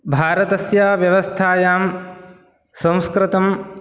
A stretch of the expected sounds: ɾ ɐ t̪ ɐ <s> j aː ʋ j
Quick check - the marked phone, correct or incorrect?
correct